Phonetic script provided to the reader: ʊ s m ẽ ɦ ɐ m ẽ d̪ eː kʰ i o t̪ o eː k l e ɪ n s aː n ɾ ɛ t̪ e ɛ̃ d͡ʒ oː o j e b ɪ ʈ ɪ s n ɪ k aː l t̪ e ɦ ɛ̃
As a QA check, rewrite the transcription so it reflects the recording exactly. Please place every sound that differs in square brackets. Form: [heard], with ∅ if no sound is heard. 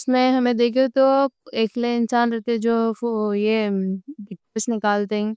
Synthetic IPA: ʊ s m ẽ ɦ ɐ m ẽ d̪ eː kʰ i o t̪ o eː k l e ɪ n s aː n ɾ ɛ t̪ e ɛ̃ d͡ʒ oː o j e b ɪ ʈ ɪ s n ɪ k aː l t̪ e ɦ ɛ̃